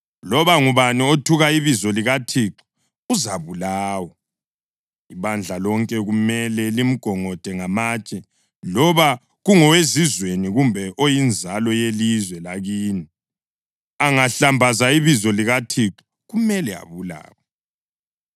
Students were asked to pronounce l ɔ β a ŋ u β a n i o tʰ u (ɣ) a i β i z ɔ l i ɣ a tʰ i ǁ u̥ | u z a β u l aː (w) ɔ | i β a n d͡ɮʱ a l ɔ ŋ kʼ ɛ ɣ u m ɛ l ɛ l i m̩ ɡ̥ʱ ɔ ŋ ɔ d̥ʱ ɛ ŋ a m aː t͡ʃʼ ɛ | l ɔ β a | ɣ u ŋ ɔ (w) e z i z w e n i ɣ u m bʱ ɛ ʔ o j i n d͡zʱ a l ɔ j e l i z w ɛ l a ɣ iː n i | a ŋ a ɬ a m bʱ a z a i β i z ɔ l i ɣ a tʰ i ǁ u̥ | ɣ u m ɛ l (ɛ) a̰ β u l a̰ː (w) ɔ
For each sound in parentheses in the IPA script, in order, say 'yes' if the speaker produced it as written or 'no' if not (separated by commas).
yes, yes, yes, yes, yes